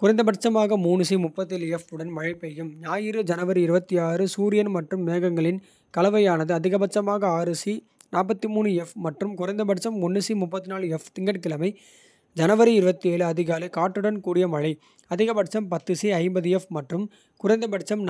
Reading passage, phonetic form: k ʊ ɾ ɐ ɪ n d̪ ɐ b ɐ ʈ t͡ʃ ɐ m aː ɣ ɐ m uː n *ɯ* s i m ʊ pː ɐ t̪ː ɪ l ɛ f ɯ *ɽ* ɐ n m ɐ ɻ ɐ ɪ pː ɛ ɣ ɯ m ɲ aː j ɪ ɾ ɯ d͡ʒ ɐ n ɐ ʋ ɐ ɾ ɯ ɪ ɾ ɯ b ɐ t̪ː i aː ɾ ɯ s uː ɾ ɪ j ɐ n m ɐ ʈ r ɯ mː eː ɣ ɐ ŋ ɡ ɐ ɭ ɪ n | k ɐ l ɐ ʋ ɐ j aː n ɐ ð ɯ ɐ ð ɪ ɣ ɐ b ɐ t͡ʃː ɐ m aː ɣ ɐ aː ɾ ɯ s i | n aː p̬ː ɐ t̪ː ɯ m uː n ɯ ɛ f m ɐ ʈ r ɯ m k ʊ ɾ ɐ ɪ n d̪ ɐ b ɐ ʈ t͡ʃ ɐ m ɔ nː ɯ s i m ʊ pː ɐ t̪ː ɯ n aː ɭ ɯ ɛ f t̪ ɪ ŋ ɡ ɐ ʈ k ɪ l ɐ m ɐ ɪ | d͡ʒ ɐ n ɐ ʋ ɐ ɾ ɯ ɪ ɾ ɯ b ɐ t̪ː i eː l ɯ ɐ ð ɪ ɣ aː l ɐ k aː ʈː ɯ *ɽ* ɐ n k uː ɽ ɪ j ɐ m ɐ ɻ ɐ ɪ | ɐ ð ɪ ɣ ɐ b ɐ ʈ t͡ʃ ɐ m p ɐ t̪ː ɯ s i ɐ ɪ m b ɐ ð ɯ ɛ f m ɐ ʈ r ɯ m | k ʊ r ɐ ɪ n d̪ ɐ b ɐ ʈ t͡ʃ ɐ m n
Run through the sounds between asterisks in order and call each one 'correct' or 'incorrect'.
correct, correct, correct

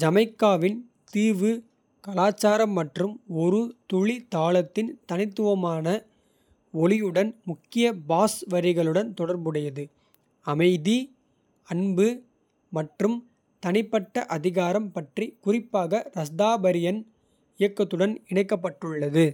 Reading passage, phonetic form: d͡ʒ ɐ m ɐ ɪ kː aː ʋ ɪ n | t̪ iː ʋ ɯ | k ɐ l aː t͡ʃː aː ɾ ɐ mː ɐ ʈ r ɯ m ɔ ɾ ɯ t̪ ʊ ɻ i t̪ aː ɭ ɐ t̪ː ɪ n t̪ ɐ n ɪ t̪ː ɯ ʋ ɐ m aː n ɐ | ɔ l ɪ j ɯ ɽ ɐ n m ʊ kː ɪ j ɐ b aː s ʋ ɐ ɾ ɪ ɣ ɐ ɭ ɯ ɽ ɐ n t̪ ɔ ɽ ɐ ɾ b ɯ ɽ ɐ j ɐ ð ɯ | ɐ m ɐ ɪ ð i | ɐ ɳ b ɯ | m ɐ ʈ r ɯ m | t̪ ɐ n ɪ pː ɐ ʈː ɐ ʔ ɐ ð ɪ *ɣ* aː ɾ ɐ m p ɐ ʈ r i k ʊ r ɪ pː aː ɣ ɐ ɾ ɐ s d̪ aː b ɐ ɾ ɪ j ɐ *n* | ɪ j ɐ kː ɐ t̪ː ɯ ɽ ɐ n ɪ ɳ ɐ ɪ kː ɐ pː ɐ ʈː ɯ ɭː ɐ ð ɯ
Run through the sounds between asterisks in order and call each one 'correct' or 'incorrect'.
correct, correct

